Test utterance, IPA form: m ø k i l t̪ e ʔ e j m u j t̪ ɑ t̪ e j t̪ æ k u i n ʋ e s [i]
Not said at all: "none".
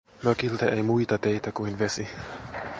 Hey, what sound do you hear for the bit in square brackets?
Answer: i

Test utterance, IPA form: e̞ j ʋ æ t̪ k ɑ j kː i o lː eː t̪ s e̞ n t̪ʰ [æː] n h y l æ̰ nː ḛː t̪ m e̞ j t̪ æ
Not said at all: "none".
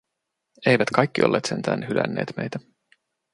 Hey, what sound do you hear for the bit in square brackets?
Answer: æː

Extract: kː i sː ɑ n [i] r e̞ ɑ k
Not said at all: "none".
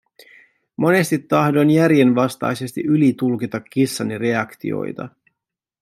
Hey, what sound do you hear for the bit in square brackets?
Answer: i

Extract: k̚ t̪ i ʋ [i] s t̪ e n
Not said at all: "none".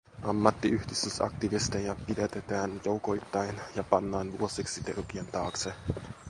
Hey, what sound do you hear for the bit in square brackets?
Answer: i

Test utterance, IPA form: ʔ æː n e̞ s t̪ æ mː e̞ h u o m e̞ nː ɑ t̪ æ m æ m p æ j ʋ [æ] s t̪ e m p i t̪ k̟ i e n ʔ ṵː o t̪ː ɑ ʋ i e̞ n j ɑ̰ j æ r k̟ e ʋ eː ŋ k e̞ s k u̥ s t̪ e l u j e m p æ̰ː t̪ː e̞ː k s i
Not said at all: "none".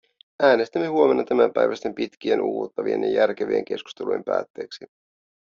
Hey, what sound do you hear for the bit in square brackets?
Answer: æ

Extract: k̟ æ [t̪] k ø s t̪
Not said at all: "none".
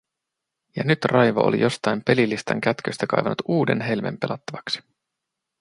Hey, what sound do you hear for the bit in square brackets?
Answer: t̪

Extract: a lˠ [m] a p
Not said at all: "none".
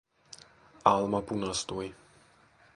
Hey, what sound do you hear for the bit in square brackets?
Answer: m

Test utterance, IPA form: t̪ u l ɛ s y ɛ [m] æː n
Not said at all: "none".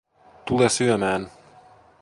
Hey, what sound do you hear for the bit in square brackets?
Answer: m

